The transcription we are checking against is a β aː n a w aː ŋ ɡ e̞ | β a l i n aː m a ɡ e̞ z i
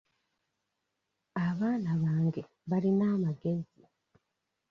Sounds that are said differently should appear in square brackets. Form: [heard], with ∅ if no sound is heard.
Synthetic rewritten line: a β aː n a [β] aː ŋ ɡ e̞ | β a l i n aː m a ɡ e̞ z i

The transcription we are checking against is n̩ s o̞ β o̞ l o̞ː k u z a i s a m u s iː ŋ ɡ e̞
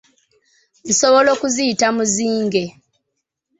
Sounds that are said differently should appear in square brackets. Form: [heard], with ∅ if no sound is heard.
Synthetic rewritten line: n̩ s o̞ β o̞ l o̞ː k u z [i] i [t] a m u [z] iː ŋ ɡ e̞

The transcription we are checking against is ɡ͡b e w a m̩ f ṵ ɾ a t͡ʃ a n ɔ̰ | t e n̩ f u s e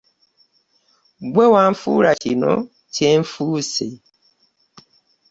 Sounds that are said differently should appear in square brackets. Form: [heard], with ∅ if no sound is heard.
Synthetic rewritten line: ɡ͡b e w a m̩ f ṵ ɾ a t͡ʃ [i] n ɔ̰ | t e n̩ f u s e

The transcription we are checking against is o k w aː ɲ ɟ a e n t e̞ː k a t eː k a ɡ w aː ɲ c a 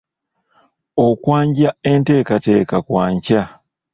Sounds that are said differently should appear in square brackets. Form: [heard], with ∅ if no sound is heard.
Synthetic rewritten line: o k w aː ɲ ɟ a e n t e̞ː k a t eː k a [k] w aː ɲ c a

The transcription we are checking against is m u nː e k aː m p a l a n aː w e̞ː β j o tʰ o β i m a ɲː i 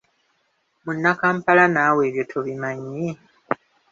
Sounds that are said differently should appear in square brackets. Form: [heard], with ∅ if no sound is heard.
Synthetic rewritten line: m u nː [a] k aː m p a l a n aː w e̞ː β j o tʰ o β i m a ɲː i

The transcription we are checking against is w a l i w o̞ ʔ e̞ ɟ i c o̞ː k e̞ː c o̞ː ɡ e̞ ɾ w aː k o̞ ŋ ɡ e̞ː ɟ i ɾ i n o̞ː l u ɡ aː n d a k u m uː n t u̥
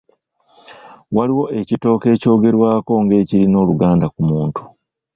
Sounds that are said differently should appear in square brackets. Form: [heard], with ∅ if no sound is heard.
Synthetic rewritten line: w a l i w o̞ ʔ e̞ [c] i [t] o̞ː k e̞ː c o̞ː ɡ e̞ ɾ w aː k o̞ ŋ ɡ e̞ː [c] i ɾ i n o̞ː l u ɡ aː n d a k u m uː n t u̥

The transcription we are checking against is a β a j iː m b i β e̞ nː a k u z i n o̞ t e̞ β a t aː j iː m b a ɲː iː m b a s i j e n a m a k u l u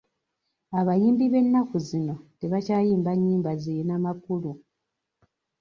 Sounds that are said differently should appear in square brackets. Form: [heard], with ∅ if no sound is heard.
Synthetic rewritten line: a β a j iː m b i β e̞ nː a k u z i n o̞ t e̞ β a [c] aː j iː m b a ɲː iː m b a [z] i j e n a m a k u l u

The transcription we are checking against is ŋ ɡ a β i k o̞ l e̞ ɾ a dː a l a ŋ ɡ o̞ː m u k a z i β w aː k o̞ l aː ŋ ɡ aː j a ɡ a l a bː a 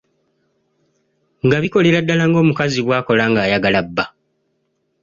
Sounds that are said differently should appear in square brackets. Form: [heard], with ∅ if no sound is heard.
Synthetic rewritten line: ŋ ɡ a β i k o̞ l e̞ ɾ a dː a l a ŋ ɡ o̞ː m u k a z i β w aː k o̞ l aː ŋ ɡ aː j a ɡ a l a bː a

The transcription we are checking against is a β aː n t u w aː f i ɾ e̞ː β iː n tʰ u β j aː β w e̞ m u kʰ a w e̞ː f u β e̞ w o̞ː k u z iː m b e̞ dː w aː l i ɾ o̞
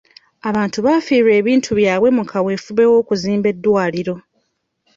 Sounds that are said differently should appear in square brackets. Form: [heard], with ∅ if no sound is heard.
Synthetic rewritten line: a β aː n t u [β] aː f i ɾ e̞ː β iː n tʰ u β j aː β w e̞ m u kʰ a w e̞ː f u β e̞ w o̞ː k u z iː m b e̞ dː w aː l i ɾ o̞

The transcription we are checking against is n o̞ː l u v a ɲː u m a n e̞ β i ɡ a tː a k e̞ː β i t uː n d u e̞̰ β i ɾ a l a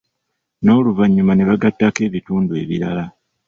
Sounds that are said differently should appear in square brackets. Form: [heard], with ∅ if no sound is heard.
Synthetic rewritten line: n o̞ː l u v a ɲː u m a n e̞ β [a] ɡ a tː a k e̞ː β i t uː n d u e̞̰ β i ɾ a l a

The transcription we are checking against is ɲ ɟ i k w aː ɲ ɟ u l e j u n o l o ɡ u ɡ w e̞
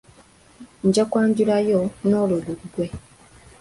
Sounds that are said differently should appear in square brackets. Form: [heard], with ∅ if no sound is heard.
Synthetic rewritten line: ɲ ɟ [a] k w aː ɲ ɟ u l [a] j [o] n o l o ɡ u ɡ w e̞

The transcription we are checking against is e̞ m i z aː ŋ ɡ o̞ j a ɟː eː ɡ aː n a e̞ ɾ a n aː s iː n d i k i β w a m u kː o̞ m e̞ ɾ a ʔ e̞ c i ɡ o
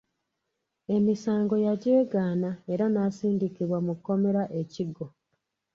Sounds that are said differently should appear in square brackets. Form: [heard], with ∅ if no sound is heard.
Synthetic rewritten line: e̞ m i [s] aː ŋ ɡ o̞ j a [ɟ] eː ɡ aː n a e̞ ɾ a n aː s iː n d i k i β w a m u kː o̞ m e̞ ɾ a ʔ e̞ c i ɡ o

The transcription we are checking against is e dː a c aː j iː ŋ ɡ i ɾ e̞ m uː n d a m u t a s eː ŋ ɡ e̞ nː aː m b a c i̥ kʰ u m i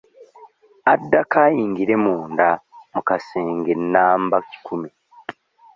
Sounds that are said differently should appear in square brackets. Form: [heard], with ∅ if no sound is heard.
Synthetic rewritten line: [a] dː a [k] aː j iː ŋ ɡ i ɾ e̞ m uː n d a m u [k] a s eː ŋ ɡ e̞ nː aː m b a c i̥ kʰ u m i

